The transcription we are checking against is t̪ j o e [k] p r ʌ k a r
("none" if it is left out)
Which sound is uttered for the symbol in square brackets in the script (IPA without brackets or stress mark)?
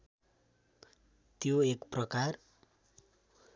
k